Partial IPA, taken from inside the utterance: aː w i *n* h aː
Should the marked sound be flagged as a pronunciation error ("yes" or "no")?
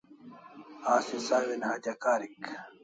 no